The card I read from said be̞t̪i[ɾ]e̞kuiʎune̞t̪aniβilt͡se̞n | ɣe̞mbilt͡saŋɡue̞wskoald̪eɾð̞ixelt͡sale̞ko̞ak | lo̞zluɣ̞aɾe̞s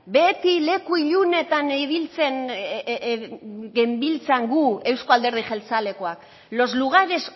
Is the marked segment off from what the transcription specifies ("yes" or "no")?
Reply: yes